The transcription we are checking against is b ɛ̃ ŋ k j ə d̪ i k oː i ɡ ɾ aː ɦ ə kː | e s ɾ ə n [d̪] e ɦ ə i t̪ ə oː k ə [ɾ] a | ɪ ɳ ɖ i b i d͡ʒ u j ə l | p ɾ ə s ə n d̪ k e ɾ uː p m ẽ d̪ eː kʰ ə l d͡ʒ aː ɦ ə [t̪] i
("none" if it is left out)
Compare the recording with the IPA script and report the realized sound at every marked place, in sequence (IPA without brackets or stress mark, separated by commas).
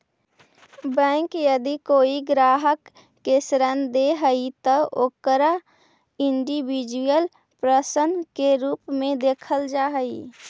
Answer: d̪, ɾ, none